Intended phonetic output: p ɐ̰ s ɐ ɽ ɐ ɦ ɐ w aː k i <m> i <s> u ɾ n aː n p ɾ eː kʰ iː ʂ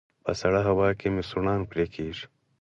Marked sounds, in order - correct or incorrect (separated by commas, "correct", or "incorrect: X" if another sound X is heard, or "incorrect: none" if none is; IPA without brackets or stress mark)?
correct, correct